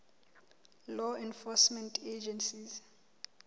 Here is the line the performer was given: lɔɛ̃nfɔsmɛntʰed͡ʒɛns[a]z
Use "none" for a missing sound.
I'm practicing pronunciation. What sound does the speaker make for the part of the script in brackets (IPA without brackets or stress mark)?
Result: i